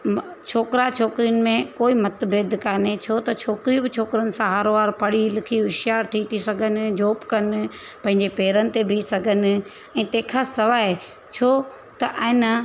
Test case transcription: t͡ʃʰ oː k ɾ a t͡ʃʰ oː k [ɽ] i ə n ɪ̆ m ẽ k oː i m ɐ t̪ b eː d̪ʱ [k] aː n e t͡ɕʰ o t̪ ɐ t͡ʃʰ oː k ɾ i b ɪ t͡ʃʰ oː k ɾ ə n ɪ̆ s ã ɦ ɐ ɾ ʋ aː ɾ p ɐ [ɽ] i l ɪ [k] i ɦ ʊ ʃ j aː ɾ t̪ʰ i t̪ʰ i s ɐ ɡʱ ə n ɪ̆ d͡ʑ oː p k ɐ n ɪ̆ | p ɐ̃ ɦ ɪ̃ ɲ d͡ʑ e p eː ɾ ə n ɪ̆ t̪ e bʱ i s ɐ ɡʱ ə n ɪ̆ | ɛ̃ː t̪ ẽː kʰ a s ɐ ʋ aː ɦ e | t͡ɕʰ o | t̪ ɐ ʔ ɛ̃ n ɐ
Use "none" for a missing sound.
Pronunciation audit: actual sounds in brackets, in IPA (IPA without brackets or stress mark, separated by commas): ɾ, k, ɽ, kʰ